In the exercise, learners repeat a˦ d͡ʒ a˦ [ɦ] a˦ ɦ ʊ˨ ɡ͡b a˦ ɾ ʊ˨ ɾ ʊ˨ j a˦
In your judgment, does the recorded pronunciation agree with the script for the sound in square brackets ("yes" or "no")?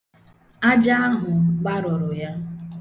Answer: no